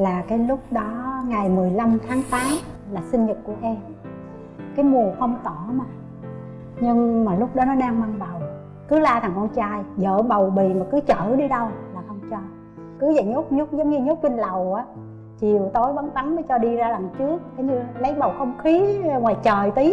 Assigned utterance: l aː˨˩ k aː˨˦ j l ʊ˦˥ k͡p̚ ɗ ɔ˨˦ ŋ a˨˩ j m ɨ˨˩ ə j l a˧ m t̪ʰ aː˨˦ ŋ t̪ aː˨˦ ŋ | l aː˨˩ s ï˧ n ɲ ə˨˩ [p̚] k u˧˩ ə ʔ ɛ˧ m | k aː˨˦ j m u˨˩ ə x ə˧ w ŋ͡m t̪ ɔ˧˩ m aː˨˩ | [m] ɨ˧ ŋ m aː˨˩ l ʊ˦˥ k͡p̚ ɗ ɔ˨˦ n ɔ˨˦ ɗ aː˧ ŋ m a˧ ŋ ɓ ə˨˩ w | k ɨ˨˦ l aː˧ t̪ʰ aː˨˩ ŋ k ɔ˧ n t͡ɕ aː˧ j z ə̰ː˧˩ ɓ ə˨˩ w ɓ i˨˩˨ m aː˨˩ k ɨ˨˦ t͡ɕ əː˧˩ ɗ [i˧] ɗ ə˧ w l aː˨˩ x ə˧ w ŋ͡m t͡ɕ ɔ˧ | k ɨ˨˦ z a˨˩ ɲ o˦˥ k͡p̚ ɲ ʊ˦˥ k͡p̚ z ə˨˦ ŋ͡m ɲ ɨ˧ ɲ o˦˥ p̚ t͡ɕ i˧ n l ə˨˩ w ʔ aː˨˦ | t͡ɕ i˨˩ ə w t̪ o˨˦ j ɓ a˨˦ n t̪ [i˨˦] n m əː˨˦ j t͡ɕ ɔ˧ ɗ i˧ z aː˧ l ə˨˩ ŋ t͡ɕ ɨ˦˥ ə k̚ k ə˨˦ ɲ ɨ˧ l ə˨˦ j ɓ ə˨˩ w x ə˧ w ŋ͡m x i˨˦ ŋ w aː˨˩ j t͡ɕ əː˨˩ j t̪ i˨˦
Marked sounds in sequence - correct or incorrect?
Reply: incorrect: t̚, incorrect: ɲ, correct, incorrect: a˨˦

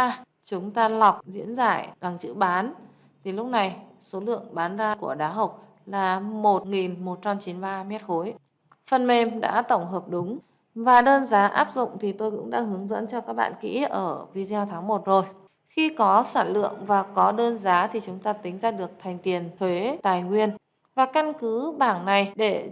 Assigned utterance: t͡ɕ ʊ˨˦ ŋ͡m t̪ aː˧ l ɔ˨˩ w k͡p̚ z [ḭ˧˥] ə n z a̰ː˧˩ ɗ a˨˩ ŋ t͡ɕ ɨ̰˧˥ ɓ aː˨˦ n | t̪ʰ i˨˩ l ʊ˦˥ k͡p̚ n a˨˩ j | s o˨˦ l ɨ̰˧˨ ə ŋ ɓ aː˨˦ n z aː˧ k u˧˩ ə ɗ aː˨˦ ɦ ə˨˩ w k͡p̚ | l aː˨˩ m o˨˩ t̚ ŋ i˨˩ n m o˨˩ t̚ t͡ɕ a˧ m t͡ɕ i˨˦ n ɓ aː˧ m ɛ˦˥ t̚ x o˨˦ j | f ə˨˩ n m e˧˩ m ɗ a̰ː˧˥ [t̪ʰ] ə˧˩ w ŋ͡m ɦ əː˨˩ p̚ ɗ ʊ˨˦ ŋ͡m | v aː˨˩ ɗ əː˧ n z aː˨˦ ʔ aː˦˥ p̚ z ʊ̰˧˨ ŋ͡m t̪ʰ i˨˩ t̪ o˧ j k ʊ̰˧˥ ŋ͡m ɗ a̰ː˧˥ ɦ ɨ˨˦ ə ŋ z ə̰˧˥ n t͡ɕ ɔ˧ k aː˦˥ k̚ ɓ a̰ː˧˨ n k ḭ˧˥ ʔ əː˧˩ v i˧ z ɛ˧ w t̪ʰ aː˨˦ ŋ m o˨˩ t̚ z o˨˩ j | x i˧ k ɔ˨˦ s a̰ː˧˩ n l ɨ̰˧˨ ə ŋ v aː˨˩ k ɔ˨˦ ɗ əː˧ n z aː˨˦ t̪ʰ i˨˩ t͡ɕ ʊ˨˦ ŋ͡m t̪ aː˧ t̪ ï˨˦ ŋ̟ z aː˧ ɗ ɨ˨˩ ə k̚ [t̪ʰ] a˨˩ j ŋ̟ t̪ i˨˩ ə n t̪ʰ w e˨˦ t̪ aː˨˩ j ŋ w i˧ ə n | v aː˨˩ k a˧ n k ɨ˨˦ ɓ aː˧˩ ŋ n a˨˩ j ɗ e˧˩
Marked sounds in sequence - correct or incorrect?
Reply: correct, incorrect: t̪, correct

